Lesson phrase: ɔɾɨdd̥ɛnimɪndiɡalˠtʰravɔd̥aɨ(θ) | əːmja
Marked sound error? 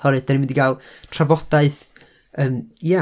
no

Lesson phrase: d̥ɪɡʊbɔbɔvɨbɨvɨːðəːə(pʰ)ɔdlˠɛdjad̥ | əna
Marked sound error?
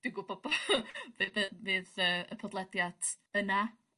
no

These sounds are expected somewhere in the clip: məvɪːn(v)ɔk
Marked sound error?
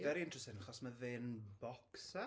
yes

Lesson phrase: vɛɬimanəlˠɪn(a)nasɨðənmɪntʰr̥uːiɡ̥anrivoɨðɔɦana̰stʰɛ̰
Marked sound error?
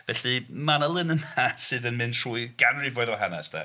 yes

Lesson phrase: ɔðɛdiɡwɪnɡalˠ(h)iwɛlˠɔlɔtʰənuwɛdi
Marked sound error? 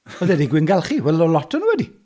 yes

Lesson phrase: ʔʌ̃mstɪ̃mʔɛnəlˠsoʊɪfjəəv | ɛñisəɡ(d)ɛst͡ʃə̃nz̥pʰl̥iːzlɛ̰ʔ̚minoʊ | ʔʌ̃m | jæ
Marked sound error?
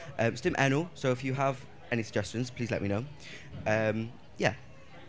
yes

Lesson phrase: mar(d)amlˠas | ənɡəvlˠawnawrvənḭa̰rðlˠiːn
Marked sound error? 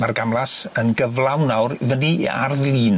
yes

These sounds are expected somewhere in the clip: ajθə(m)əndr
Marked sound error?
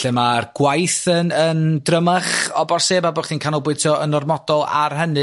yes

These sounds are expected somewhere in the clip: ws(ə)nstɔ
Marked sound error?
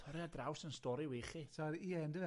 no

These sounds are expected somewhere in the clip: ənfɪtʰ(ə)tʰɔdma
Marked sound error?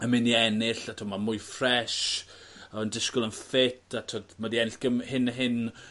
yes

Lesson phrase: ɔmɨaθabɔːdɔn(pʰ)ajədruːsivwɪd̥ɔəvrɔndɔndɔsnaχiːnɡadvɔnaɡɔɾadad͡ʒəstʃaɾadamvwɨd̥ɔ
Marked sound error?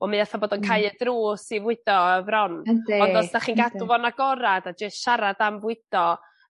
yes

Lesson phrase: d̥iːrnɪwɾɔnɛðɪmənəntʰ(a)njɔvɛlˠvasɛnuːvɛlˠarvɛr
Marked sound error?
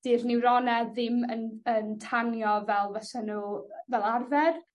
no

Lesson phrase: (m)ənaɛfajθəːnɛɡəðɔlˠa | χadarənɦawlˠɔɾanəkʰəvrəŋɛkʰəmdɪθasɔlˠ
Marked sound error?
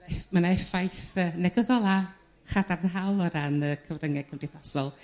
no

